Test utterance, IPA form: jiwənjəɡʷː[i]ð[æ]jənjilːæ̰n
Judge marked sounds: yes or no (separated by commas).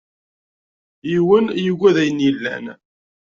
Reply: no, yes